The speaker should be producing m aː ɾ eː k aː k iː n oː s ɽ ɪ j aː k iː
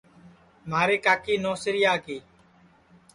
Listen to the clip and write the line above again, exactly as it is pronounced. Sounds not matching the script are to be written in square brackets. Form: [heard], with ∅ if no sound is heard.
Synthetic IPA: m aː ɾ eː k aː k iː n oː s [ɾ] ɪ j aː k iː

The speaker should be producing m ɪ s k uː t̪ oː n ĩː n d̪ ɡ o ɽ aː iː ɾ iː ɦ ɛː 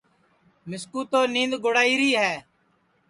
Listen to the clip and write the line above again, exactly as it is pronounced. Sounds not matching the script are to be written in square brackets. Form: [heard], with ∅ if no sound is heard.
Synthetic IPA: m ɪ s k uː t̪ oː n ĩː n d̪ ɡ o ɽ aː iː ɾ iː ɦ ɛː

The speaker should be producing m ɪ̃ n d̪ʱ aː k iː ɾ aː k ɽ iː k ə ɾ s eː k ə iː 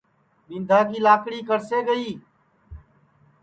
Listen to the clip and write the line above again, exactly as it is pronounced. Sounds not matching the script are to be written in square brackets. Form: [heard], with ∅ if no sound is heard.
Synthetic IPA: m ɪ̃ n d̪ʱ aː k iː [l] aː k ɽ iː k ə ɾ s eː [ɡ] ə iː

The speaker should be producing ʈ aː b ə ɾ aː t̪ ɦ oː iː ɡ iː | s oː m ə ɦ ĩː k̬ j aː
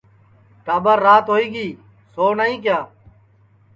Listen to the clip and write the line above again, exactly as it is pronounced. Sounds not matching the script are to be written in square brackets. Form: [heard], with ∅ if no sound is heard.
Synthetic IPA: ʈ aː b ə [ɾː] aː t̪ ɦ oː iː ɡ iː | s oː [n] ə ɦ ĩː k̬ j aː

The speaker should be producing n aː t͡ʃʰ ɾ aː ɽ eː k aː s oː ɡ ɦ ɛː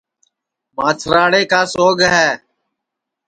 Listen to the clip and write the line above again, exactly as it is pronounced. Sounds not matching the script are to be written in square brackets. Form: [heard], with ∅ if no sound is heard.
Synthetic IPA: [m] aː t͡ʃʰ ɾ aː ɽ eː k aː s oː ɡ ɦ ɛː

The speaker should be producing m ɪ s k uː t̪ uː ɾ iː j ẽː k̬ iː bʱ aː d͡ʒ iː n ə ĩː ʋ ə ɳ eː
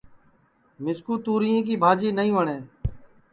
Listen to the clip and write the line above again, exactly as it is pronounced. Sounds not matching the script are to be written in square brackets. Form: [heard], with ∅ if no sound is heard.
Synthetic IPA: m ɪ s k uː t̪ uː ɾ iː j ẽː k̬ iː bʱ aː d͡ʒ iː n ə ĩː ʋ ə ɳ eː

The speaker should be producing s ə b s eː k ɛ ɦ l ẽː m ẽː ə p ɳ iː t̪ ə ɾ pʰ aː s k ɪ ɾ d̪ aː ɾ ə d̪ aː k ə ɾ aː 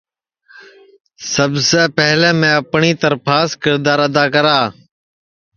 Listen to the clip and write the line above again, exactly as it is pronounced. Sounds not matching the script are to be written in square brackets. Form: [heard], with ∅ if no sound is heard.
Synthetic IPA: s ə b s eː [p] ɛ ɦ l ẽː m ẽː ə p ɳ iː t̪ ə ɾ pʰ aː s k ɪ ɾ d̪ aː ɾ ə d̪ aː k ə ɾ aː

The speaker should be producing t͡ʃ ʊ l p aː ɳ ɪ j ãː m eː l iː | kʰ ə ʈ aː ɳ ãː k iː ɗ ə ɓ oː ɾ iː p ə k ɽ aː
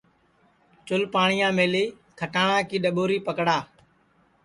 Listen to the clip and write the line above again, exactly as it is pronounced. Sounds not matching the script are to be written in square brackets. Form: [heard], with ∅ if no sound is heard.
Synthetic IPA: t͡ʃ ʊ l p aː ɳ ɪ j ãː m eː l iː | kʰ ə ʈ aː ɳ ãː k iː ɗ ə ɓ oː ɾ iː p ə k ɽ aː

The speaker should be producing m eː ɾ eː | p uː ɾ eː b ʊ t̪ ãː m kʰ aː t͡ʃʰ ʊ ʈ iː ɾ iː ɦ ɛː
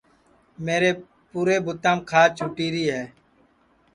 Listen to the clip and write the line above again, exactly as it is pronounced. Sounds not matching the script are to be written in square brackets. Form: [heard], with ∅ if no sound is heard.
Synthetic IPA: m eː ɾ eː | p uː ɾ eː b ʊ t̪ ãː m kʰ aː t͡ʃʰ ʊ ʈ iː ɾ iː ɦ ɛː

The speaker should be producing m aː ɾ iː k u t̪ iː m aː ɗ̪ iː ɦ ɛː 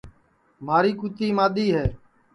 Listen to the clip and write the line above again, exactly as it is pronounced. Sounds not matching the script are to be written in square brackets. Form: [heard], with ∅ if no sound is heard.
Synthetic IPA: m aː ɾ iː k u t̪ iː m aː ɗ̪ iː ɦ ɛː

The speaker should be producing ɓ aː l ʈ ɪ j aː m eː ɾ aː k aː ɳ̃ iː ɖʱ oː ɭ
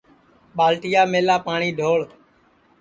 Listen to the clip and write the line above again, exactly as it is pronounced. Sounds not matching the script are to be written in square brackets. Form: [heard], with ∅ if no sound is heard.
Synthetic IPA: ɓ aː l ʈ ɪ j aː m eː [l] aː [p] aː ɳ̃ iː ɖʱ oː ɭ

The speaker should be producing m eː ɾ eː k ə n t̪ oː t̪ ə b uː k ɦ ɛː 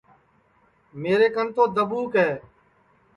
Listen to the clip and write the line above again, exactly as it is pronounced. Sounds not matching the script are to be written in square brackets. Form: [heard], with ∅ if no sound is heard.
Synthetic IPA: m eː ɾ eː k ə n t̪ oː [d̪] ə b uː k ɦ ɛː

